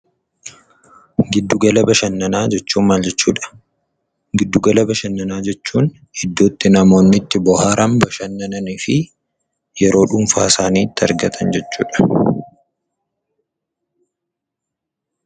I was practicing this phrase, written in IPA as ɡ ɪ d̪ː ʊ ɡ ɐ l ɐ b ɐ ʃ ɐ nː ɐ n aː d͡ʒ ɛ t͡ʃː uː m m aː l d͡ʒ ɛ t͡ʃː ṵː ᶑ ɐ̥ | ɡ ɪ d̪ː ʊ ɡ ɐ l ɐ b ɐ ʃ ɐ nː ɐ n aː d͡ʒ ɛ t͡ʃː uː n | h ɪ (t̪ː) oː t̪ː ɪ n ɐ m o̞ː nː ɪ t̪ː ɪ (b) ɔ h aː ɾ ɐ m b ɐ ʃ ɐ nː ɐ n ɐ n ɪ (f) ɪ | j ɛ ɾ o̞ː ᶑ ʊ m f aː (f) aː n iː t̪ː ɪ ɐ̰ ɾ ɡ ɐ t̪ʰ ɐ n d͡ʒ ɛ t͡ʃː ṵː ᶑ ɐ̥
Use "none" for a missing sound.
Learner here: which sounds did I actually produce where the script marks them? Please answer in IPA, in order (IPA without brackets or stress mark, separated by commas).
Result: d̪ː, b, f, s